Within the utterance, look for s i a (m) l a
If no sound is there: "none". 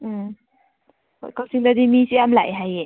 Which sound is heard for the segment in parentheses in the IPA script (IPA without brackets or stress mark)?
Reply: m